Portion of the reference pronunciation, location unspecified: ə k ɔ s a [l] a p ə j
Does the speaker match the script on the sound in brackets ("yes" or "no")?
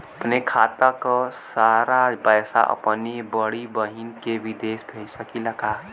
no